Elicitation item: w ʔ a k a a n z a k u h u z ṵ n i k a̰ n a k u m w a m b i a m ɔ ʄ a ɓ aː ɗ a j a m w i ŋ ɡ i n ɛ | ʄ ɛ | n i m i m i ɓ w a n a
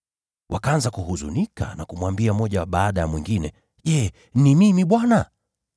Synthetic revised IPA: w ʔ a k a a n z a k u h u z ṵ n i k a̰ n a k u m w a m b i a m ɔ ʄ a ɓ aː ɗ a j a m w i ŋ ɡ i n ɛ | ʄ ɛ | n i m i m i ɓ w a n a